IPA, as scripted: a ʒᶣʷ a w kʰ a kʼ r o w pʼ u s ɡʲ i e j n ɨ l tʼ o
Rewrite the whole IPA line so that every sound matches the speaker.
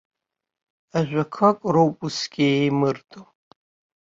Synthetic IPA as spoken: a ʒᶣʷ a kʰ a kʼ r o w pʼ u s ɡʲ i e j m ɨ r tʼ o